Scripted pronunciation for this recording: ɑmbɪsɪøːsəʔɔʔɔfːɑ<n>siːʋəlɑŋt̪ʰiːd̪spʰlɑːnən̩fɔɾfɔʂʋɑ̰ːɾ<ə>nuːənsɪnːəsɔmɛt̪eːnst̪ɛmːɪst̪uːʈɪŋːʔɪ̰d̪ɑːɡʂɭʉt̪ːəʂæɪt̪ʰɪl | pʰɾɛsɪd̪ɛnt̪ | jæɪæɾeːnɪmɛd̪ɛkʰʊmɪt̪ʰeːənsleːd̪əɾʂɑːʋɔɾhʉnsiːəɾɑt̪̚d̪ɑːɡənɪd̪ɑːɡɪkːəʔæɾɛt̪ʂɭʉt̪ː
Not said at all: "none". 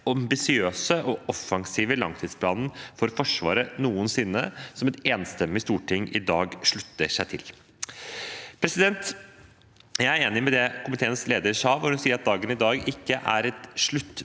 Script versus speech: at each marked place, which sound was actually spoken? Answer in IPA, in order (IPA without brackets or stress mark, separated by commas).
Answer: ŋ, ə